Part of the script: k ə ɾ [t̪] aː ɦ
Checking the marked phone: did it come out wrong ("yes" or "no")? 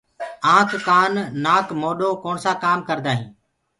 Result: yes